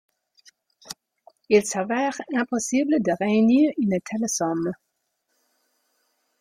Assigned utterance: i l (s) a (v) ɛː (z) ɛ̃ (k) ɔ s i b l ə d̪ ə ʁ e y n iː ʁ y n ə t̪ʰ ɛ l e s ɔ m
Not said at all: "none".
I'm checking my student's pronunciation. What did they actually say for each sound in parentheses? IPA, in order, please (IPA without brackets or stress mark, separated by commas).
s, v, ʁ, p